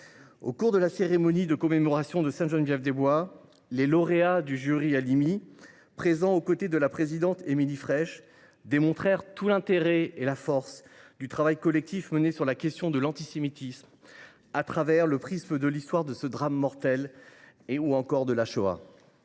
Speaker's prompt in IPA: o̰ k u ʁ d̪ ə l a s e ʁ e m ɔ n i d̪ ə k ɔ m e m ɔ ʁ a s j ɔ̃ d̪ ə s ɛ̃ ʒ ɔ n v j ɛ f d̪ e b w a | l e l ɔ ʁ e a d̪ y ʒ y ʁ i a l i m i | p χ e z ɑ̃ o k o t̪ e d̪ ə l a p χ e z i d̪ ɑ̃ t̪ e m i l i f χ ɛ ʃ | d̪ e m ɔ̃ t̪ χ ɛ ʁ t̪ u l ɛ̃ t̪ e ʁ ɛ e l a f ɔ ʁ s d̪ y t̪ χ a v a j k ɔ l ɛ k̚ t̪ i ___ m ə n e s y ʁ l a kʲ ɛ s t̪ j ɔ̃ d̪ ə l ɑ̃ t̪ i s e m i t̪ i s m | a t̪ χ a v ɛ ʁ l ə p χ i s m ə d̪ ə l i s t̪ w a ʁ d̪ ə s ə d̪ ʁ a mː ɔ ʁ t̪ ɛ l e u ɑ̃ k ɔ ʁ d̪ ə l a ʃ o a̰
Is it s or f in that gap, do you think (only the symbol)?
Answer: f